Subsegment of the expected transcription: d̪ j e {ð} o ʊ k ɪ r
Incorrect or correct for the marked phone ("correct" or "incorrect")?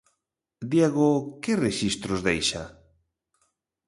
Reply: incorrect